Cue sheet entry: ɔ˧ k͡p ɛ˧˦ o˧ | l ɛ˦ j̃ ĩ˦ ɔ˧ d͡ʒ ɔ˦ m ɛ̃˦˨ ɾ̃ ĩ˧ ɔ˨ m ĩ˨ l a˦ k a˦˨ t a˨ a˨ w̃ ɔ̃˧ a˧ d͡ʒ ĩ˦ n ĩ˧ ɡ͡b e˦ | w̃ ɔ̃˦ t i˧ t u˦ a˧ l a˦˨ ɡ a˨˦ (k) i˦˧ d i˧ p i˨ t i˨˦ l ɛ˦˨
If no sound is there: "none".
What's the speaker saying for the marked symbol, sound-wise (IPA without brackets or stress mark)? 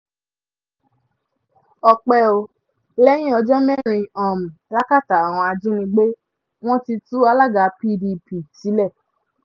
p